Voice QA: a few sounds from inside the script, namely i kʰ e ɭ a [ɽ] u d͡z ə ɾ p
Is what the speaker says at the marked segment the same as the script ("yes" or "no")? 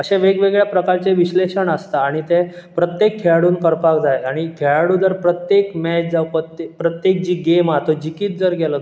yes